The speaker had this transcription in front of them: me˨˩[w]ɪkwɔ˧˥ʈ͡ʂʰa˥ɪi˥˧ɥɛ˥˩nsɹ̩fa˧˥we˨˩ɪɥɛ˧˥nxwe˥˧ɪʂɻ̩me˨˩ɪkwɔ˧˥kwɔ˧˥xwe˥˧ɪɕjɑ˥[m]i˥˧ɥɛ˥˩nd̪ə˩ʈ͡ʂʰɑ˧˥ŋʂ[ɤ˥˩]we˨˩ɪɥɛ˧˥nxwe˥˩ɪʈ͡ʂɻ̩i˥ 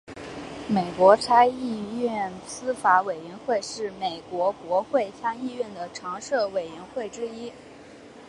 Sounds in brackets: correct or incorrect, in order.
incorrect: none, incorrect: ŋ, correct

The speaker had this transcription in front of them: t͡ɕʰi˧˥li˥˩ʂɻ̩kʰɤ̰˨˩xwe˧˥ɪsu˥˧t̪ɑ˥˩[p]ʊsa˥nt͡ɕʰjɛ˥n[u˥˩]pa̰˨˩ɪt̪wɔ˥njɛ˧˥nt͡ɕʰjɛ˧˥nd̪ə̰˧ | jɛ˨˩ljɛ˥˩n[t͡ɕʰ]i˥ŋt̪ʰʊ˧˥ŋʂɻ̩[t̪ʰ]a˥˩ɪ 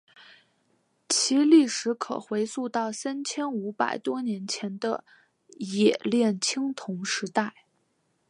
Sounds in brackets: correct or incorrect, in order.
incorrect: none, incorrect: u˧˥, correct, incorrect: t̪

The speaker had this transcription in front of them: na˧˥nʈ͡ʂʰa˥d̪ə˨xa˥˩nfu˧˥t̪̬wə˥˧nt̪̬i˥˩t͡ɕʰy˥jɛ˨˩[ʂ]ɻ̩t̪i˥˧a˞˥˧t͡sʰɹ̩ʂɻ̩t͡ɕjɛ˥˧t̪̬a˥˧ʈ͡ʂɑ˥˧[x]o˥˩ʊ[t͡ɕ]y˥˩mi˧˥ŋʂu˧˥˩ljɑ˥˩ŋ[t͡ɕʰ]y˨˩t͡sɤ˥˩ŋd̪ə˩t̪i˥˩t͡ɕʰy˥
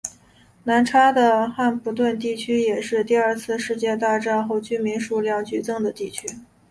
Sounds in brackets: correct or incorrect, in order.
correct, correct, correct, incorrect: t͡ɕ

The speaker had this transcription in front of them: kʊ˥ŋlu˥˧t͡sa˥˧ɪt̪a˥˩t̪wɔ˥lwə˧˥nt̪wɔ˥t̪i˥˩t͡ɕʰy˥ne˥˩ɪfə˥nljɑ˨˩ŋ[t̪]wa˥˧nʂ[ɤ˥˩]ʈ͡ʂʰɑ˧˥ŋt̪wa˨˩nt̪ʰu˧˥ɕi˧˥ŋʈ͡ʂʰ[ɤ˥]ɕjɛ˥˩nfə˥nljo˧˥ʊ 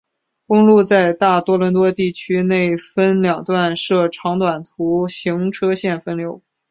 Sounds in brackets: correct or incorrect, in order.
correct, correct, correct

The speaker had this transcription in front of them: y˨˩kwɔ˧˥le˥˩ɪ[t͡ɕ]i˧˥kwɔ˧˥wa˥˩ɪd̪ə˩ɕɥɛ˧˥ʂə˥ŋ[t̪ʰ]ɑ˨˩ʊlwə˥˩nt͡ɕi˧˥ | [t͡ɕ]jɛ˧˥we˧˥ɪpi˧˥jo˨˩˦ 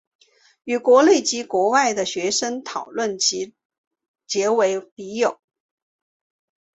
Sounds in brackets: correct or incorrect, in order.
correct, correct, correct

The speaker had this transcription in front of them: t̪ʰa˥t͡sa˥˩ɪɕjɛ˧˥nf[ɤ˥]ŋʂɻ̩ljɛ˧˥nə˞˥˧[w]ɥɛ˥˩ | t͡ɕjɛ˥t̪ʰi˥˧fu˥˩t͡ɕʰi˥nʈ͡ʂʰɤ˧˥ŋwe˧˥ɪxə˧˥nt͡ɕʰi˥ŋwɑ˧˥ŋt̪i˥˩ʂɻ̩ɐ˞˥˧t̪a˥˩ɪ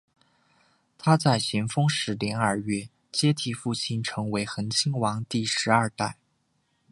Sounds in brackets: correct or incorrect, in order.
correct, incorrect: none

